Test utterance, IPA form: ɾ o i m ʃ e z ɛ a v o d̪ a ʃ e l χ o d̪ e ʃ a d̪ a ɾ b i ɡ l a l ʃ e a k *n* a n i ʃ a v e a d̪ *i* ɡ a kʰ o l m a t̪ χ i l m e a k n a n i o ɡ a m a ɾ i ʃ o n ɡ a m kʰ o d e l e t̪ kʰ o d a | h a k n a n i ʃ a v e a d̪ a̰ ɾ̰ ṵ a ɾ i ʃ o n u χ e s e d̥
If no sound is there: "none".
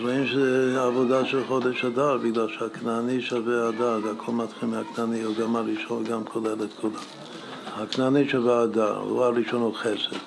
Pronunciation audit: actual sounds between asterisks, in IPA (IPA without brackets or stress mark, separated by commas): n, a